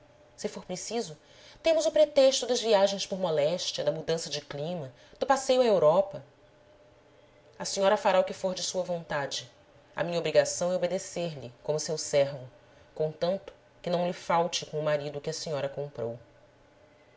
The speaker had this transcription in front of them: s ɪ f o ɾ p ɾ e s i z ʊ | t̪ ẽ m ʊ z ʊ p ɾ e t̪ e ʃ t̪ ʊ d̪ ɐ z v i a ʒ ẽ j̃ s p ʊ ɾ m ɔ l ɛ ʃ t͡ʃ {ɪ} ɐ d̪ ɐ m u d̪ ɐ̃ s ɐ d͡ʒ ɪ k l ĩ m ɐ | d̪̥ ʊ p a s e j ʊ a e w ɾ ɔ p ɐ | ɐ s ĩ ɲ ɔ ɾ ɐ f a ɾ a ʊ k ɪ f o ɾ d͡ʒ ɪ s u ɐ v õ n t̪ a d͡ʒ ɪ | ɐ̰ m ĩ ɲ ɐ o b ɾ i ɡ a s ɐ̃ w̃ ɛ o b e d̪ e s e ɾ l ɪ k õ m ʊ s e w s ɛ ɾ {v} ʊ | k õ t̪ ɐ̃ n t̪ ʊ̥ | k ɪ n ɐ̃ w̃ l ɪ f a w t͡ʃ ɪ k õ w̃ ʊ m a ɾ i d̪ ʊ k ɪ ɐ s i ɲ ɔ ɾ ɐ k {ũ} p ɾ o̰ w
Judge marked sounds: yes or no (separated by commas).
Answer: no, yes, no